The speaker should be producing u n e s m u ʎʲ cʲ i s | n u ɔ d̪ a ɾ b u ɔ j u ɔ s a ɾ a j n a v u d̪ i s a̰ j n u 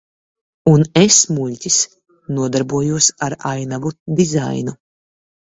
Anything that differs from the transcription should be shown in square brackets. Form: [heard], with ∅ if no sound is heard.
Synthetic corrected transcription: u n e s m u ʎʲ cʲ i s | n u ɔ d̪ a ɾ b u ɔ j u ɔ s a ɾ a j n a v u d̪ i [z] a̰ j n u